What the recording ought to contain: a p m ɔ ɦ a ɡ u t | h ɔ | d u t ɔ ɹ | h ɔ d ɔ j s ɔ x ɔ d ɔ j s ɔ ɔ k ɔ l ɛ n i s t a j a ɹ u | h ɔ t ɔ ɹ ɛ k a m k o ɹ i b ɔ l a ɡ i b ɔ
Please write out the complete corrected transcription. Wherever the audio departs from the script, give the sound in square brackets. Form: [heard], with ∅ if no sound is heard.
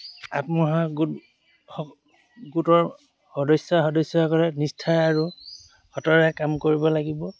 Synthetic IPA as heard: a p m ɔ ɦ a ɡ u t | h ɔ | [ɡ] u t ɔ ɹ | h ɔ d ɔ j s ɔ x ɔ d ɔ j s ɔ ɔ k ɔ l ɛ n i s [tʰ] a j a ɹ u | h ɔ t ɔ ɹ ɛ k a m k o ɹ i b ɔ l a ɡ i b ɔ